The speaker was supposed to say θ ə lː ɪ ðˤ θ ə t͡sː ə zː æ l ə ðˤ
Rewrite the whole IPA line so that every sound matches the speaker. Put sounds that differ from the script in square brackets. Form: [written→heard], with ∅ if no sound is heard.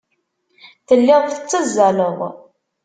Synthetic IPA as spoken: θ ə lː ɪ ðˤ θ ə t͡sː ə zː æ l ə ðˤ